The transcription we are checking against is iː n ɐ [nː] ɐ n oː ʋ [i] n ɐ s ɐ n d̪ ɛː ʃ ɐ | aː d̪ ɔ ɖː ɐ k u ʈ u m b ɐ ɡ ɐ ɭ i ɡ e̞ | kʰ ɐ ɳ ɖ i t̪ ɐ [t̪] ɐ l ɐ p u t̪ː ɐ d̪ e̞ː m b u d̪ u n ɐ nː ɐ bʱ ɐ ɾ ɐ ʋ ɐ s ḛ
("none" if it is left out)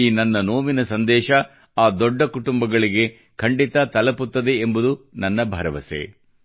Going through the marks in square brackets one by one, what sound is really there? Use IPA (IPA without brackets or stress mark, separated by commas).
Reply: nː, i, t̪